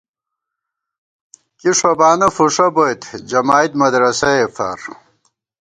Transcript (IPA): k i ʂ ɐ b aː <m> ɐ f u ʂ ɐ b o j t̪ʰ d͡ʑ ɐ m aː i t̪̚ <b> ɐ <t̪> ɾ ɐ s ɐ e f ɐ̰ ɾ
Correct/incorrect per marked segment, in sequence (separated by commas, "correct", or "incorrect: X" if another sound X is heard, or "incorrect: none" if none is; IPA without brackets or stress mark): incorrect: n, incorrect: m, incorrect: d̪